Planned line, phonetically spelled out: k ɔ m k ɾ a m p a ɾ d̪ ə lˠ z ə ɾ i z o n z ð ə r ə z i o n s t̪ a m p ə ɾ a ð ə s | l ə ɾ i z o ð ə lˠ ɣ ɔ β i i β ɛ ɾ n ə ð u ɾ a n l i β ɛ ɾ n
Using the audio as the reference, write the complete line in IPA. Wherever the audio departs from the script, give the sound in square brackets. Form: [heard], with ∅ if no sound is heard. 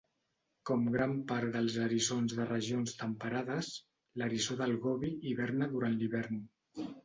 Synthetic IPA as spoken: k ɔ m [ɡ] ɾ a m p a ɾ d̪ ə lˠ z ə ɾ i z o n z ð ə r ə [ʒ] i o n s t̪ [ə] m p ə ɾ a ð ə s | l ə ɾ i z o ð ə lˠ ɣ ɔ β i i β ɛ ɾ n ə ð u ɾ a n l i β ɛ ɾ n